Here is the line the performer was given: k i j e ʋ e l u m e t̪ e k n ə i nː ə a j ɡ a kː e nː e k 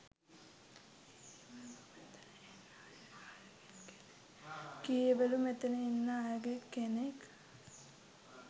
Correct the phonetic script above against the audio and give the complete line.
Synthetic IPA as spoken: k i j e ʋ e l u m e t̪ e n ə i nː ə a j ɡ e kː e n e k